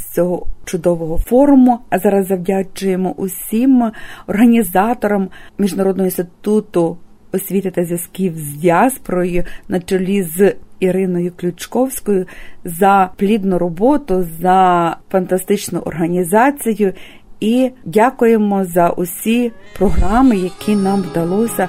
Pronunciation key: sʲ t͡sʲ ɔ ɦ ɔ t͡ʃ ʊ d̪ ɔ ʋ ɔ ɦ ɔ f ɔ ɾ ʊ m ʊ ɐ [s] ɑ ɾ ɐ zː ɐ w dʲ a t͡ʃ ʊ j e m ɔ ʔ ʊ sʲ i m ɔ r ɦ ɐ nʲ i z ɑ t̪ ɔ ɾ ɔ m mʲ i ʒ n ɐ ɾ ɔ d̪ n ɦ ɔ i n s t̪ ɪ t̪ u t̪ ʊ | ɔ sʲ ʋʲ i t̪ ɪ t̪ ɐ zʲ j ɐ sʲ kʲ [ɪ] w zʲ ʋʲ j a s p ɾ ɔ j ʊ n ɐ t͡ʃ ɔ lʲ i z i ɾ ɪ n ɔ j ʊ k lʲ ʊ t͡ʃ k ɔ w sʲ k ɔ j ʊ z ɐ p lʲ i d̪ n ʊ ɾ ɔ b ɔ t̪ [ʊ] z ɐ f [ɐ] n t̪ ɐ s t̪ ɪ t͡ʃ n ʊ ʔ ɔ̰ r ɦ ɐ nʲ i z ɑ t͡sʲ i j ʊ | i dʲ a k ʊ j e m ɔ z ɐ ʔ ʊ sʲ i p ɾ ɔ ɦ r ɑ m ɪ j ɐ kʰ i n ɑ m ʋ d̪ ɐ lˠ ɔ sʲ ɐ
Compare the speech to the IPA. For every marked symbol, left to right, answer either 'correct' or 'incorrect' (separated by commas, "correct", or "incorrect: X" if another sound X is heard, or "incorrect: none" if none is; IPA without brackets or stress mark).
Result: incorrect: z, incorrect: i, correct, correct